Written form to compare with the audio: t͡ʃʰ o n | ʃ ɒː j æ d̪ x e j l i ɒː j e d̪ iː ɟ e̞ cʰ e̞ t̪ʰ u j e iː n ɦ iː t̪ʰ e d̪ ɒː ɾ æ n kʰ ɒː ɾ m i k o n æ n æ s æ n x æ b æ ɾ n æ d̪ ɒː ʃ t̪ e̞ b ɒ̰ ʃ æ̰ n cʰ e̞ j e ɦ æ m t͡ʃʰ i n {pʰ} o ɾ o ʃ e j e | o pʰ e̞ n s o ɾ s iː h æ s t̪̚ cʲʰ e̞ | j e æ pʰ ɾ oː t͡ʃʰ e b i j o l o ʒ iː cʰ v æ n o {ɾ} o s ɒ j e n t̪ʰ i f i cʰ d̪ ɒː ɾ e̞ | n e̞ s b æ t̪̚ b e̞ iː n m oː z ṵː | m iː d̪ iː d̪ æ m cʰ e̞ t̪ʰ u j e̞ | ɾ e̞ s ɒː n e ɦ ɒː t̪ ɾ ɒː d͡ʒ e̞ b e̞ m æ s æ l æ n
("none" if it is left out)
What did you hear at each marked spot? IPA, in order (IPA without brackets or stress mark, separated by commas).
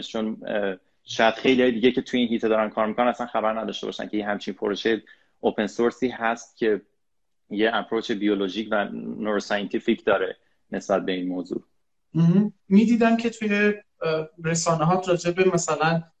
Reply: pʰ, ɾ